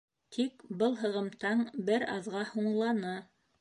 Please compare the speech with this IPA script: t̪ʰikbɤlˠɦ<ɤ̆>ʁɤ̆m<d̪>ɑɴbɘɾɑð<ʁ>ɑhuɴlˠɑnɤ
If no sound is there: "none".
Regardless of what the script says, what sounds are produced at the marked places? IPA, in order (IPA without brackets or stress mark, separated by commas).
ɤ̆, t̪, ʁ